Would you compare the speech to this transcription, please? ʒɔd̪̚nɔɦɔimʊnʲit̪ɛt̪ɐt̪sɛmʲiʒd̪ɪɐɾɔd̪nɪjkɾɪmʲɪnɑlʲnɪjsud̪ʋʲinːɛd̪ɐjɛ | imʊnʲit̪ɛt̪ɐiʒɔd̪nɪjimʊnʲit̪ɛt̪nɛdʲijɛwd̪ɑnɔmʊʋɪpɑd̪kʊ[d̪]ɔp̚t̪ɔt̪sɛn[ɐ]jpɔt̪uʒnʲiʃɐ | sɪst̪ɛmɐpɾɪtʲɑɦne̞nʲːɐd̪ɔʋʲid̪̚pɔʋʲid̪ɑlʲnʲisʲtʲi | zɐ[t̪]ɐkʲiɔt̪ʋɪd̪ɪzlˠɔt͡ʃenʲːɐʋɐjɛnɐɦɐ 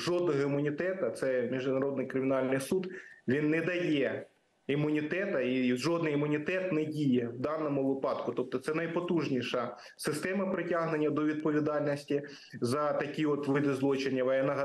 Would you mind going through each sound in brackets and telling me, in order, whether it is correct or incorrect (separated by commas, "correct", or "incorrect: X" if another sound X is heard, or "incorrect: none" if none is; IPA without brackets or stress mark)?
incorrect: t̪, correct, correct